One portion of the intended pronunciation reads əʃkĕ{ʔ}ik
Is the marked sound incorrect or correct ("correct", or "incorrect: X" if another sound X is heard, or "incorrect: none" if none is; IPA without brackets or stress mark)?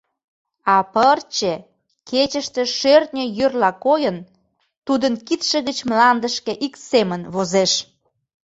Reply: correct